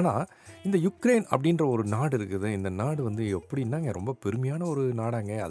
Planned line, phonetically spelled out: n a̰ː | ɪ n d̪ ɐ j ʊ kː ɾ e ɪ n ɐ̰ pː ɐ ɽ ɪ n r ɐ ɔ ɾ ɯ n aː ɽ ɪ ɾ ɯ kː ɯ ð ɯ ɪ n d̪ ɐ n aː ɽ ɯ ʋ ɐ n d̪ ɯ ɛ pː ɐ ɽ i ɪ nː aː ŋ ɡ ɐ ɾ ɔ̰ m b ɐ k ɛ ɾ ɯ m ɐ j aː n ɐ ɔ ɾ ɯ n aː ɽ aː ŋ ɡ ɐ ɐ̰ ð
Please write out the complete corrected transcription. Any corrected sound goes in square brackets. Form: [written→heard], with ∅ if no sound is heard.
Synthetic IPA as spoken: n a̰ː | ɪ n d̪ ɐ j ʊ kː ɾ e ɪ n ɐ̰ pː ɐ ɽ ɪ n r ɐ ɔ ɾ ɯ n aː ɽ ɪ ɾ ɯ kː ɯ ð ɯ ɪ n d̪ ɐ n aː ɽ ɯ ʋ ɐ n d̪ ɯ ɛ pː ɐ ɽ i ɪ nː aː ŋ ɡ ɐ ɾ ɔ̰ m b ɐ [k→p] ɛ ɾ ɯ m ɐ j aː n ɐ ɔ ɾ ɯ n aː ɽ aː ŋ ɡ ɐ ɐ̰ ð